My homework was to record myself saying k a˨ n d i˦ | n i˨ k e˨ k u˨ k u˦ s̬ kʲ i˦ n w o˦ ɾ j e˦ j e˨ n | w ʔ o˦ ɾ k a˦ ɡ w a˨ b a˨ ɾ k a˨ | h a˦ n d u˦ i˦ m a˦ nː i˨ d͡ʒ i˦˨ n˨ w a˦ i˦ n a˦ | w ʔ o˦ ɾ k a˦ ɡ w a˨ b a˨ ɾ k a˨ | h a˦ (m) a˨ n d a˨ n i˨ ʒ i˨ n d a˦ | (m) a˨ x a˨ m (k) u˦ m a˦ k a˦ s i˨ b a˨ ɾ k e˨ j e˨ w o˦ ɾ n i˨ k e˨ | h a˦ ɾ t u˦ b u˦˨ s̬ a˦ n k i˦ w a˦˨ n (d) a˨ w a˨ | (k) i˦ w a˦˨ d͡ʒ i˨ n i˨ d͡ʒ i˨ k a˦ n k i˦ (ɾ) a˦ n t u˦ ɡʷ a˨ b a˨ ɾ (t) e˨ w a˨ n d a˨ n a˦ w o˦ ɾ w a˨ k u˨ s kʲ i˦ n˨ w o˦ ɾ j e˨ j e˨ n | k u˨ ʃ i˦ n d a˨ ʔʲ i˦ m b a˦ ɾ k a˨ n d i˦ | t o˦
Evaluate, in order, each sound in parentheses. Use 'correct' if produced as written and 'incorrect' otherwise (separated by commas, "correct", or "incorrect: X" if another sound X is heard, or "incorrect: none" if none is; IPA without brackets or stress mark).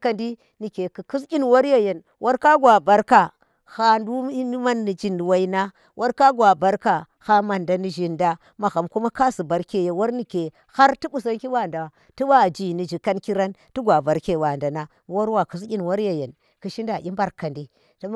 correct, correct, correct, correct, incorrect: t, correct, incorrect: k